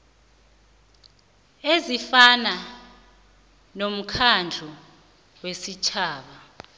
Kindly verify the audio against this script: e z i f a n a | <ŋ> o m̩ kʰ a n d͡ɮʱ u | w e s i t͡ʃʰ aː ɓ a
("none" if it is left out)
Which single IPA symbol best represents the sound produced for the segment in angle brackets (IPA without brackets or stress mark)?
n